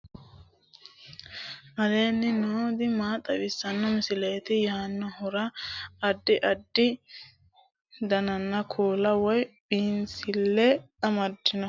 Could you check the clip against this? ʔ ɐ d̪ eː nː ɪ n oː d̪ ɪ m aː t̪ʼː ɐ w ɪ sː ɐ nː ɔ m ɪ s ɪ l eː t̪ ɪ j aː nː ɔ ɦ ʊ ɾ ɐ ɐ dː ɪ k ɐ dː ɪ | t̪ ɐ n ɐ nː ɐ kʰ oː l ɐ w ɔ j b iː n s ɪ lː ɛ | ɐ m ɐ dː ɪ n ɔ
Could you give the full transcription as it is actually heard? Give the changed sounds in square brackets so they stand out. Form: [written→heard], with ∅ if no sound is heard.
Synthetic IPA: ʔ ɐ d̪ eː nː ɪ n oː d̪ ɪ m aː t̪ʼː ɐ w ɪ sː ɐ nː ɔ m ɪ s ɪ l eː t̪ ɪ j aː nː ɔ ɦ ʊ ɾ ɐ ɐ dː ɪ [k→ʔ] ɐ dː ɪ | [t̪→d̪] ɐ n ɐ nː ɐ kʰ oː l ɐ w ɔ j b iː n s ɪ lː ɛ | ɐ m ɐ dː ɪ n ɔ